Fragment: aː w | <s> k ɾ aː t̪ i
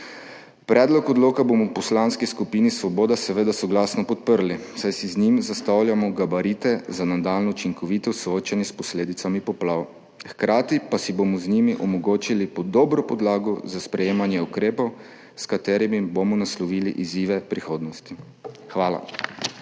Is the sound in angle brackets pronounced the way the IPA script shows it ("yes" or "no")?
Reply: no